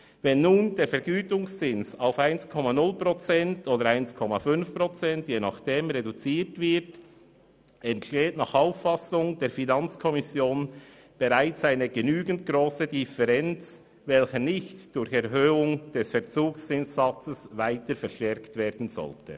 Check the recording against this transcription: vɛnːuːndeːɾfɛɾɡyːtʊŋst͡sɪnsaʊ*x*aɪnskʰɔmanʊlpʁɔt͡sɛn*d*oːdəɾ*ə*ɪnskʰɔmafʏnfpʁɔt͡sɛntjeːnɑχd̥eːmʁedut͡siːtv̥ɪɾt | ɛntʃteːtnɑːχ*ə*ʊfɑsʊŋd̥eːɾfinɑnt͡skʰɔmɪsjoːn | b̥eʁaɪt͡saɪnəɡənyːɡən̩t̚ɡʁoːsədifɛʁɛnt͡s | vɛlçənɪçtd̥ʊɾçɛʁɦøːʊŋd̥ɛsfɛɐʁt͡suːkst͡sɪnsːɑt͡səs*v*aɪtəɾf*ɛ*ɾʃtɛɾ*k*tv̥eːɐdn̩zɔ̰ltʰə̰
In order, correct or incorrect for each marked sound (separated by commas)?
incorrect, incorrect, incorrect, incorrect, correct, correct, correct